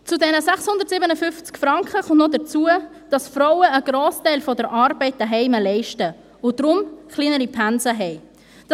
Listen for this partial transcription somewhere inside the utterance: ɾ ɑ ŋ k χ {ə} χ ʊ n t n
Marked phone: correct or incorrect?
correct